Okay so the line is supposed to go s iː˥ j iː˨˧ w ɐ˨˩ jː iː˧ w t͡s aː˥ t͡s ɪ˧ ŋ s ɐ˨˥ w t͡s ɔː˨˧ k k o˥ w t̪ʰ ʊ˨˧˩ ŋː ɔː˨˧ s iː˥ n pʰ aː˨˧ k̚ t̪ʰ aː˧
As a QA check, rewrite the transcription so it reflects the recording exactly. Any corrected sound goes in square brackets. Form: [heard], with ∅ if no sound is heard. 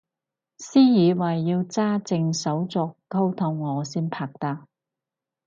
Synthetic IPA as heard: s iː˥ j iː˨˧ w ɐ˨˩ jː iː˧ w t͡s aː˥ t͡s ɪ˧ ŋ s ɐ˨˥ w t͡s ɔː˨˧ k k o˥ w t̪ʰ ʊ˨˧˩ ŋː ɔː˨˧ s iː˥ n pʰ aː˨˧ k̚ [t̪] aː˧

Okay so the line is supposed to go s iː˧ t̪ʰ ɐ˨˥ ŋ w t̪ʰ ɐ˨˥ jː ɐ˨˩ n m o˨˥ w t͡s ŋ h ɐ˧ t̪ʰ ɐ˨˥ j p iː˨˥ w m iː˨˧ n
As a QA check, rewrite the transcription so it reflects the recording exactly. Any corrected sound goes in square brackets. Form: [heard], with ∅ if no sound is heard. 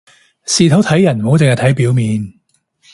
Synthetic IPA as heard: s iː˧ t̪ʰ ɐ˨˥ [∅] w t̪ʰ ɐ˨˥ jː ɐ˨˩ n m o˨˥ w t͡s ŋ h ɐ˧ t̪ʰ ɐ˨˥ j p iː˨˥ w m iː˨˧ n

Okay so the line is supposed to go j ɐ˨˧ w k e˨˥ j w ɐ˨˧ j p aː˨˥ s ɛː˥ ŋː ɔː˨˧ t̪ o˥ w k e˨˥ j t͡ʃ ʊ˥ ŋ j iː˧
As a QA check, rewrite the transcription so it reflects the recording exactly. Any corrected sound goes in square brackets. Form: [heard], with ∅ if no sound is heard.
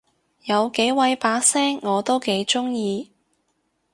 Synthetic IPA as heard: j ɐ˨˧ w k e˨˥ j w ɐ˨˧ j p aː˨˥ s ɛː˥ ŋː ɔː˨˧ t̪ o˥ w k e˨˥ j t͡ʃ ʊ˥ ŋ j iː˧

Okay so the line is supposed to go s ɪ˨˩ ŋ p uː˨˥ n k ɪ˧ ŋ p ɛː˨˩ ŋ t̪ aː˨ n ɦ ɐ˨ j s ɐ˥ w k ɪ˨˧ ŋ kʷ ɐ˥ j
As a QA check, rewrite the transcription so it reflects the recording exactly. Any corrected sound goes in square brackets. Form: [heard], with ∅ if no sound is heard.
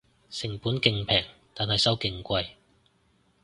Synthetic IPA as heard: s ɪ˨˩ ŋ p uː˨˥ n k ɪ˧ ŋ [pʰ] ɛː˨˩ ŋ t̪ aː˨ n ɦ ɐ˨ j s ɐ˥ w k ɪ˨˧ ŋ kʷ [ɐ˧] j

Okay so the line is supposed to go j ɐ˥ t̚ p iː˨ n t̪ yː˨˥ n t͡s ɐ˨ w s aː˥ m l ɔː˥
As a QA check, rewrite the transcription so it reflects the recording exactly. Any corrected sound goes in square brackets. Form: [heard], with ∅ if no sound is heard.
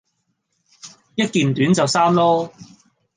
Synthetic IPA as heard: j ɐ˥ t̚ [k] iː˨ n t̪ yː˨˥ n t͡s ɐ˨ w s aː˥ m l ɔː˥

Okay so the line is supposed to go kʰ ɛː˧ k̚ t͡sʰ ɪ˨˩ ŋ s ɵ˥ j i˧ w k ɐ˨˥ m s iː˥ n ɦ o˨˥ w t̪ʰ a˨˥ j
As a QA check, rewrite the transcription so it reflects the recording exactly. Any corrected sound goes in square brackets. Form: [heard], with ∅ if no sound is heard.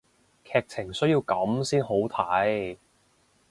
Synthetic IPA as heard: kʰ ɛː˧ k̚ t͡sʰ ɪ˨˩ ŋ s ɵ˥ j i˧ w k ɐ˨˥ m s iː˥ n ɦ o˨˥ w t̪ʰ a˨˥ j

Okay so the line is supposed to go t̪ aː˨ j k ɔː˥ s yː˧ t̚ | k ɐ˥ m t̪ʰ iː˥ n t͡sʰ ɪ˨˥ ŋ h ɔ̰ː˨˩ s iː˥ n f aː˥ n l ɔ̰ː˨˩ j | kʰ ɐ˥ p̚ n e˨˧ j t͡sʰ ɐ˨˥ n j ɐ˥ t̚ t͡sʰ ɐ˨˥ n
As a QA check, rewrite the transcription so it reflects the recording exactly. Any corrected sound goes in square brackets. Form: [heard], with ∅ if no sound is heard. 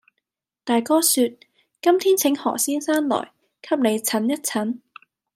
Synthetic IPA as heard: t̪ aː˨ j k ɔː˥ s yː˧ t̚ | k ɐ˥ m t̪ʰ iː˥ n t͡sʰ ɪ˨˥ ŋ h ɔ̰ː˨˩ s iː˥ n [s] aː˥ n l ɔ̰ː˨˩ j | kʰ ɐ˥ p̚ n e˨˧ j t͡sʰ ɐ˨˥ n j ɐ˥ t̚ t͡sʰ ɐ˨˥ n

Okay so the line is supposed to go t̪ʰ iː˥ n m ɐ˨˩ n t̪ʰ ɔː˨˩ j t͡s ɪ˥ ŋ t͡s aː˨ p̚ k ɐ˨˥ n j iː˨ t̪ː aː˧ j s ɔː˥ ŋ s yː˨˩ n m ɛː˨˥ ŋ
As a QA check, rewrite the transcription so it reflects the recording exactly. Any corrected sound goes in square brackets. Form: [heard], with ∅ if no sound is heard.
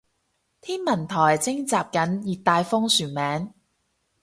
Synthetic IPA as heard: t̪ʰ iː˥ n m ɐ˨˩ n t̪ʰ ɔː˨˩ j t͡s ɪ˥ ŋ t͡s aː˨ p̚ k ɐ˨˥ n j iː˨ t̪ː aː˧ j [f] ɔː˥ ŋ s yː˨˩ n m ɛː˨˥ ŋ

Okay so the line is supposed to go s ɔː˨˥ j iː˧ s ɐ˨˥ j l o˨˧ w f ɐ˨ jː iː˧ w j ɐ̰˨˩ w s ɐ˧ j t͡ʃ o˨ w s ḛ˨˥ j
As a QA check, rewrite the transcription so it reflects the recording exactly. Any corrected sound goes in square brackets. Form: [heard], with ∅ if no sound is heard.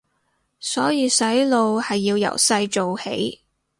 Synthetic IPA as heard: s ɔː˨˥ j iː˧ s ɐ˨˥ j l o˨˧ w [h] ɐ˨ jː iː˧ w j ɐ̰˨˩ w s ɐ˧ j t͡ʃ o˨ w [h] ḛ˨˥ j

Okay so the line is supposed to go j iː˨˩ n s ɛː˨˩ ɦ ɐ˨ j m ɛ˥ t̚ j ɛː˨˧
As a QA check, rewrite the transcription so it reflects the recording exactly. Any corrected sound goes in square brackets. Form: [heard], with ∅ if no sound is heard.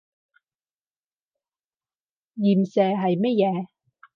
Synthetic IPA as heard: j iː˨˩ [m] s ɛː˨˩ ɦ ɐ˨ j m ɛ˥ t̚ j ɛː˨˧

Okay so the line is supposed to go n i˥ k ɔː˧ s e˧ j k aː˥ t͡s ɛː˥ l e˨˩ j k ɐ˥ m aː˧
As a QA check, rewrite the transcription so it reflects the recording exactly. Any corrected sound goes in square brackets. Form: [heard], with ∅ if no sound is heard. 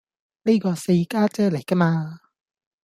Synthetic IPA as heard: n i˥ k ɔː˧ s e˧ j k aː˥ t͡s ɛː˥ l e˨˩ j k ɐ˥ m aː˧

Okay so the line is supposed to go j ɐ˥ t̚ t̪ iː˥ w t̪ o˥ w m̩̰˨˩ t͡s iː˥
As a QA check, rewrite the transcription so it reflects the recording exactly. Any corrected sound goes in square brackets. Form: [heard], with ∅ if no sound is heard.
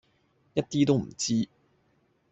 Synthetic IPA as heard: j ɐ˥ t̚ t̪ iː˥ [∅] t̪ o˥ w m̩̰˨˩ t͡s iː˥

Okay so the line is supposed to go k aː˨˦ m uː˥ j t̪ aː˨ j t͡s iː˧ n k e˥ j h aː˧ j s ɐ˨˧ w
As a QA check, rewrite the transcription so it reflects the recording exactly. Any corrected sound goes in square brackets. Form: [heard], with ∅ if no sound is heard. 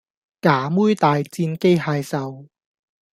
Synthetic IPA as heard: k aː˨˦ m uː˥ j t̪ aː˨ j t͡s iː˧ n k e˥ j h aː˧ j s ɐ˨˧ w

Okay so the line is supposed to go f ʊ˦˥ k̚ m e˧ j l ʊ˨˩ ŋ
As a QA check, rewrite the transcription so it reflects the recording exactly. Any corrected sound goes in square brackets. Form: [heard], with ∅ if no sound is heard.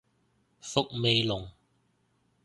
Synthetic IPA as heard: f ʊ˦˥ k̚ m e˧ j l ʊ˨˩ ŋ

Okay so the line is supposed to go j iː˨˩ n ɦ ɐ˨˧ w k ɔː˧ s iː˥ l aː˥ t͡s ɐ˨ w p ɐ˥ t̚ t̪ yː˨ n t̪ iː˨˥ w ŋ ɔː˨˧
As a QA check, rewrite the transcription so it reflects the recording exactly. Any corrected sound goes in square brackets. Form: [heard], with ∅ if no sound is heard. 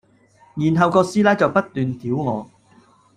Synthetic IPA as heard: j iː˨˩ n ɦ ɐ˨˧ w k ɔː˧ s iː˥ l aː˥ t͡s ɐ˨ w p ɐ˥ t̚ t̪ yː˨ n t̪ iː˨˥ w ŋ ɔː˨˧

